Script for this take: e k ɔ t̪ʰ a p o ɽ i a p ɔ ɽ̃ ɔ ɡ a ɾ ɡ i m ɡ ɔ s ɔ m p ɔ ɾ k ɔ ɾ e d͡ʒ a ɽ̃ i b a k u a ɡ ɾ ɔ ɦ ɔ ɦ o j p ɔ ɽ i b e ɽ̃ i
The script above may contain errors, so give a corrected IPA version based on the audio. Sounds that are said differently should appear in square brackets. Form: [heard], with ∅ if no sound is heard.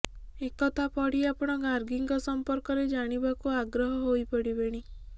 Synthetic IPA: e k ɔ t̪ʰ a p [ɔ] ɽ i a p ɔ ɽ̃ ɔ ɡ a ɾ ɡ i [ŋ] ɡ ɔ s ɔ m p ɔ ɾ k ɔ ɾ e d͡ʒ a ɽ̃ i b a k u a ɡ ɾ ɔ ɦ ɔ ɦ o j p ɔ ɽ i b e ɽ̃ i